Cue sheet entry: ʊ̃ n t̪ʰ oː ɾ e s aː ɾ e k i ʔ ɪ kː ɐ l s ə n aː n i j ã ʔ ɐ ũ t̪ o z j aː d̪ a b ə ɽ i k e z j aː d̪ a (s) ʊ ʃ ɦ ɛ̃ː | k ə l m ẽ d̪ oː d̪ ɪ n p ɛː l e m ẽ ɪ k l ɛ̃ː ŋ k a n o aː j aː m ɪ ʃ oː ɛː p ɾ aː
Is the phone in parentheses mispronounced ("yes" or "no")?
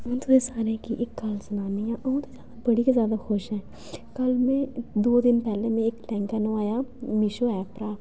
yes